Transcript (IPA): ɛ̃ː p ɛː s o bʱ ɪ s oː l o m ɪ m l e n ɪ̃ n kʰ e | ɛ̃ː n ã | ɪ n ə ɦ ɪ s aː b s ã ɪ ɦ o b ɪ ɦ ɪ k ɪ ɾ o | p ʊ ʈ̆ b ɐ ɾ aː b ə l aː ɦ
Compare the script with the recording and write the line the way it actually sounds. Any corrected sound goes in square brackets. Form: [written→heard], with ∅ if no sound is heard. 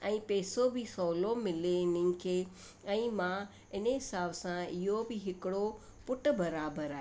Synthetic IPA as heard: ɛ̃ː p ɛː s o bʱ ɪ s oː l o m ɪ [m→∅] l e n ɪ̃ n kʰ e | ɛ̃ː [n→m] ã | ɪ n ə ɦ ɪ s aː b s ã ɪ ɦ o b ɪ ɦ ɪ k ɪ [ɾ→ɽ] o | p ʊ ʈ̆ b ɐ ɾ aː b ə [l→ɾ] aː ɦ